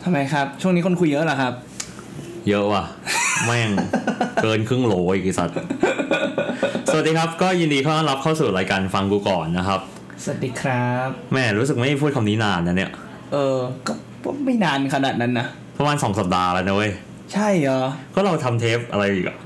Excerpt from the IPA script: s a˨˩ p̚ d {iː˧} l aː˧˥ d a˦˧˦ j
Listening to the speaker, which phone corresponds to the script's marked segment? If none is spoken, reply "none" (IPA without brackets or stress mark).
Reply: aː˧